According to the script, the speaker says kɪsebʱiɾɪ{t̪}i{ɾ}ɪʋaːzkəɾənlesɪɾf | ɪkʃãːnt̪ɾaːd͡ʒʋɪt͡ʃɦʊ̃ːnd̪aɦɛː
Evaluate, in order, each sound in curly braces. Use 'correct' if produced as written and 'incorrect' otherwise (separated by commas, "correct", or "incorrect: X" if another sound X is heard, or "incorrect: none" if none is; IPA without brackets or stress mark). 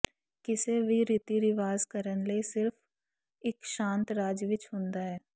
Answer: correct, correct